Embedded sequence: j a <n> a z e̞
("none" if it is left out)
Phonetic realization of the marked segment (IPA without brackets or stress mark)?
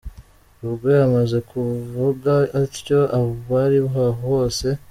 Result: m